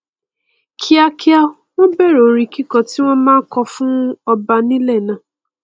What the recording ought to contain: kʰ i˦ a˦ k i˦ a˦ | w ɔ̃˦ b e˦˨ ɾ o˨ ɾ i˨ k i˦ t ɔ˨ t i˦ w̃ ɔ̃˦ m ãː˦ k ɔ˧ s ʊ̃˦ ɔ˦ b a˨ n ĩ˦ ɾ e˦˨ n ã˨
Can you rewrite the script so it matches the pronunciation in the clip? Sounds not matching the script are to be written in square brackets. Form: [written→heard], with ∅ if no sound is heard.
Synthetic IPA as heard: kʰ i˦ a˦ k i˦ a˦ | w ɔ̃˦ b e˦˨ ɾ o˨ ɾ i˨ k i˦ [t→k] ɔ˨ t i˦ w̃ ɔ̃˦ m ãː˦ k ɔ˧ [s→f] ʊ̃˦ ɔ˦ b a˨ n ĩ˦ [ɾ→l] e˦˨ n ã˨